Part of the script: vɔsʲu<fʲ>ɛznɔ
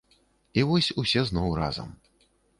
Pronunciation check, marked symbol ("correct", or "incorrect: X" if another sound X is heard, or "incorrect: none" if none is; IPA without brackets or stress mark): incorrect: sʲ